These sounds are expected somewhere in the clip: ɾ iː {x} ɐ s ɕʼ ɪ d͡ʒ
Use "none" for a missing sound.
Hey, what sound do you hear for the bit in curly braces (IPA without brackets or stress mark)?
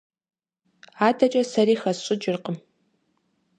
x